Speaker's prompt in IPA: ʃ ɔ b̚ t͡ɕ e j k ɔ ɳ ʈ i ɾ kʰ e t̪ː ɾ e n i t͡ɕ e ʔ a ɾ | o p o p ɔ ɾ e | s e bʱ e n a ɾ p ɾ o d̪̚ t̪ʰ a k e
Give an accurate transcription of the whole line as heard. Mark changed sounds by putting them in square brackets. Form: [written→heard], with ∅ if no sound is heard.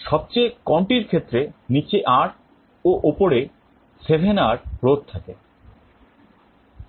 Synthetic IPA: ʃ ɔ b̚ t͡ɕ e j k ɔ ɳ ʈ i ɾ kʰ e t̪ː ɾ e n i t͡ɕ e ʔ a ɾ | o [p→ʔ] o p [ɔ→o] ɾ e | s e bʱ e n a ɾ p ɾ o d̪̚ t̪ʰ a k e

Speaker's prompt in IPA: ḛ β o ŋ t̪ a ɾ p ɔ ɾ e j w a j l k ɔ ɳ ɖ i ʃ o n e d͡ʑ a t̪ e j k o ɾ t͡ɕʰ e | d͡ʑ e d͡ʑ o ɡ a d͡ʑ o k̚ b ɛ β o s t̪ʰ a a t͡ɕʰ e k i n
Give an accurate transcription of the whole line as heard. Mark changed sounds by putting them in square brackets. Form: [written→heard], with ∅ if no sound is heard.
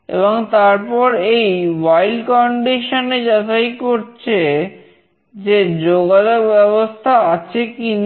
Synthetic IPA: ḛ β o ŋ t̪ a ɾ p ɔ ɾ e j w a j l k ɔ ɳ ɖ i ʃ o n e d͡ʑ a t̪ [e→a] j k o ɾ t͡ɕʰ e | d͡ʑ e d͡ʑ o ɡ a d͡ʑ o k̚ b ɛ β o s t̪ʰ a a t͡ɕʰ e k i n

